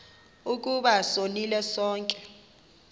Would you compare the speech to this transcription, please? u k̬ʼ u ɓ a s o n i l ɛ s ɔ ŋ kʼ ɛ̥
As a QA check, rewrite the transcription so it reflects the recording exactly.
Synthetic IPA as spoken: u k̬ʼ u ɓ a s o n i l ɛ s ɔː ŋ kʼ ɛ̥